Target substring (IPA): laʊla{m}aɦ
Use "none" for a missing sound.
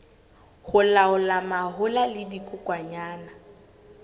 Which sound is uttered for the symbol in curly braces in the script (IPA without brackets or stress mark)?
m